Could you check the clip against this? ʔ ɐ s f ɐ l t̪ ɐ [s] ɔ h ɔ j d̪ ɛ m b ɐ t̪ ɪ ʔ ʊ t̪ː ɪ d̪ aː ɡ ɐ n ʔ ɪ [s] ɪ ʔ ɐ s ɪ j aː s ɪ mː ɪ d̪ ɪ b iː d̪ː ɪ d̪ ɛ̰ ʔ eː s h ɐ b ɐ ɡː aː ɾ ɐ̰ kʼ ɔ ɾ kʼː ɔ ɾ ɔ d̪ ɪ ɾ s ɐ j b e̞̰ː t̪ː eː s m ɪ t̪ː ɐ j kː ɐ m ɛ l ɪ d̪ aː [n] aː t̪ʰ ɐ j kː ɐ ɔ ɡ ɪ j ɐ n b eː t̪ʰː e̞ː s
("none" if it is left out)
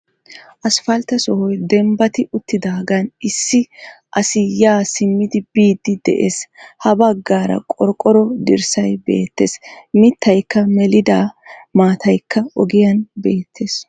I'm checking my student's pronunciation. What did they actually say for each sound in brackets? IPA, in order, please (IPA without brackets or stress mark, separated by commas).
s, sː, m